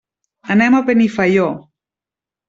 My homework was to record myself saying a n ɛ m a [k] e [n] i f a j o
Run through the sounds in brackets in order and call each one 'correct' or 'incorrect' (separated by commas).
incorrect, correct